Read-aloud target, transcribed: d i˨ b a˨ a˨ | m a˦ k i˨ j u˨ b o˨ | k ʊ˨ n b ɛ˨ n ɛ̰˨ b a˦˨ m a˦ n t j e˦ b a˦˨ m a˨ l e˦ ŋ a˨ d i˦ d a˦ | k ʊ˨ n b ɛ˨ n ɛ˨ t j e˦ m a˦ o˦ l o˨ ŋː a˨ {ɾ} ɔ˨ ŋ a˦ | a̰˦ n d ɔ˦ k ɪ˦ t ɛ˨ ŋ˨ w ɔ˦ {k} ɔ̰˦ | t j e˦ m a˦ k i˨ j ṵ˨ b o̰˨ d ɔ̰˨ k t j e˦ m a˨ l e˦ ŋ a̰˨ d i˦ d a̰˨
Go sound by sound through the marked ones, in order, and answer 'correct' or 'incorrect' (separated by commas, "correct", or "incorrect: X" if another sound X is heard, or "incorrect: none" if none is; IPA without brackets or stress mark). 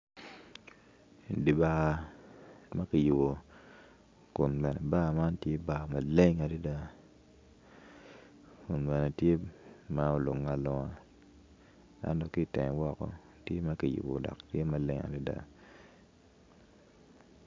incorrect: l, correct